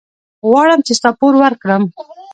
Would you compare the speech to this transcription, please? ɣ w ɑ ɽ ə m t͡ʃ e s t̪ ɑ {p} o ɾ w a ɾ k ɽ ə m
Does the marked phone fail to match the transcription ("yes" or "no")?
no